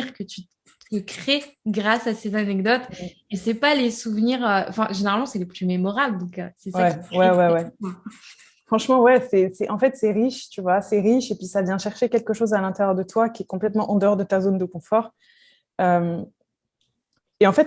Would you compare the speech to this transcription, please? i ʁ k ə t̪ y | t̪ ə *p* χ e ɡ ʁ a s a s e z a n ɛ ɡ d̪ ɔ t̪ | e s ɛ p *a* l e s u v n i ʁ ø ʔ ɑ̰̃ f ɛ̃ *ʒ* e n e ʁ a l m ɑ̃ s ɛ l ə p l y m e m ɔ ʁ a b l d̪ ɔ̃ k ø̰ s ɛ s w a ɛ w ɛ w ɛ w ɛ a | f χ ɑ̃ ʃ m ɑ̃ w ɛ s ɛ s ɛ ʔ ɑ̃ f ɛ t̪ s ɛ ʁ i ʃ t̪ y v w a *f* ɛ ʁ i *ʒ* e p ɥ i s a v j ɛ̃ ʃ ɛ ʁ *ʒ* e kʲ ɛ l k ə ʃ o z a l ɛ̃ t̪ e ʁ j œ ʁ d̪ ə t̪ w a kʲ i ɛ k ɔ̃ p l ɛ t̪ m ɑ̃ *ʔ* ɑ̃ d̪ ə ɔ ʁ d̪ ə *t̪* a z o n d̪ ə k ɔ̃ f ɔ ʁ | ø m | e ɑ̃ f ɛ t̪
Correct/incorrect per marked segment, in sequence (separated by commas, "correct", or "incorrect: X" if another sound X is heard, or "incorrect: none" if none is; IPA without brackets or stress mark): incorrect: k, correct, correct, incorrect: s, incorrect: ʃ, incorrect: ʃ, correct, correct